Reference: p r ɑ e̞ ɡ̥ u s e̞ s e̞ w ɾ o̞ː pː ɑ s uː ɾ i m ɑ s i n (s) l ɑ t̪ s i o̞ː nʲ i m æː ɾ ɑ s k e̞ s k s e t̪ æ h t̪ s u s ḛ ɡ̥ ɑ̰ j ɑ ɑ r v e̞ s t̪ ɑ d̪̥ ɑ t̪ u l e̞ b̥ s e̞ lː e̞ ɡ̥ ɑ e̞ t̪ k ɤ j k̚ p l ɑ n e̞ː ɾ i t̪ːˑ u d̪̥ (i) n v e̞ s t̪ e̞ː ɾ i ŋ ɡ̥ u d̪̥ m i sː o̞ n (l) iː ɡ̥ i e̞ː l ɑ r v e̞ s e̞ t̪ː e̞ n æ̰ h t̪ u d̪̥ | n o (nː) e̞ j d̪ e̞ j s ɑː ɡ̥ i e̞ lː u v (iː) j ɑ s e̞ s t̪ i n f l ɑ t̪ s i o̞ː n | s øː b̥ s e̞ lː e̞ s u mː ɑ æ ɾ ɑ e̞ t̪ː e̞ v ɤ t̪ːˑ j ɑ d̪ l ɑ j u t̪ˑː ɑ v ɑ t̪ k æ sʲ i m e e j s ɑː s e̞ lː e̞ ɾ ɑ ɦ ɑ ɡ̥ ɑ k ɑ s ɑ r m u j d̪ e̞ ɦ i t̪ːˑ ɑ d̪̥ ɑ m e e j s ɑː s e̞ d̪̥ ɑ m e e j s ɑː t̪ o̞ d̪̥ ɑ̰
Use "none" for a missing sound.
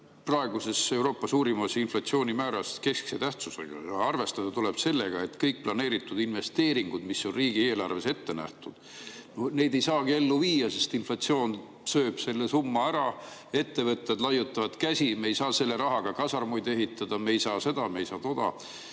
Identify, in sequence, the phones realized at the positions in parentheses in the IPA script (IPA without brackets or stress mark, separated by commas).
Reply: f, i, r, n, iː